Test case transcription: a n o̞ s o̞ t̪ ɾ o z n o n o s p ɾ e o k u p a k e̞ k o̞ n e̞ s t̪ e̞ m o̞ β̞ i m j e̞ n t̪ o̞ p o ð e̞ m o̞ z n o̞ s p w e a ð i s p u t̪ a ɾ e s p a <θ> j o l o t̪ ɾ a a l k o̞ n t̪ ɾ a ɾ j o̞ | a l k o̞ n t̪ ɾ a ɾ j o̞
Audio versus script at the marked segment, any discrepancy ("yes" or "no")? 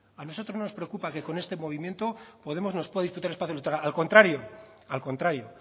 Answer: no